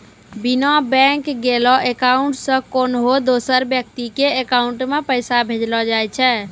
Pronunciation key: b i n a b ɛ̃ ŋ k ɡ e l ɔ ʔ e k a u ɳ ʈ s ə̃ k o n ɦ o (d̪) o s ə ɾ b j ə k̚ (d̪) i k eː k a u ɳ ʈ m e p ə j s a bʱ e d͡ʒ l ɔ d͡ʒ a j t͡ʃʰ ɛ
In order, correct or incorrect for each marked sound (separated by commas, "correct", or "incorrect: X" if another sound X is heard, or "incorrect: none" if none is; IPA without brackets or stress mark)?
correct, incorrect: t̪